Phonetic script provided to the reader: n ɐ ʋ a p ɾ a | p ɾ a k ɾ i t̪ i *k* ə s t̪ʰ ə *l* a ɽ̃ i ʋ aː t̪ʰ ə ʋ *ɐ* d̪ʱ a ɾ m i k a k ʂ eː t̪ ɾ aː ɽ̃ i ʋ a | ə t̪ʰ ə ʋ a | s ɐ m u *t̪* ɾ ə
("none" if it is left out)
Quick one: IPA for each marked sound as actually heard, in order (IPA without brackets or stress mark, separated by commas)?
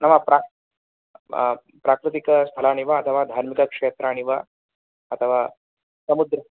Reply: k, l, a, d̪